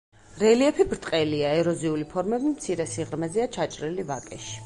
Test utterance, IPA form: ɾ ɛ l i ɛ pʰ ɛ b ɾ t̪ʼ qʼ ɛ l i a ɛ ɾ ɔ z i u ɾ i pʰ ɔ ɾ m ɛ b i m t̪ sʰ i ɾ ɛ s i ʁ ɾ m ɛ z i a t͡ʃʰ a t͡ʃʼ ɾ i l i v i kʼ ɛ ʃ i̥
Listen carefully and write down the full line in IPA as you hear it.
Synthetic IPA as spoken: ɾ ɛ l i ɛ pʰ i b ɾ t̪ʼ qʼ ɛ l i a ɛ ɾ ɔ z i u l i pʰ ɔ ɾ m ɛ b i m t̪ sʰ i ɾ ɛ s i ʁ ɾ m ɛ z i a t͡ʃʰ a t͡ʃʼ ɾ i l i v a kʼ ɛ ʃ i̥